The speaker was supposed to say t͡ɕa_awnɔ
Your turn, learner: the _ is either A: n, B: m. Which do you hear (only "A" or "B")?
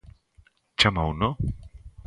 B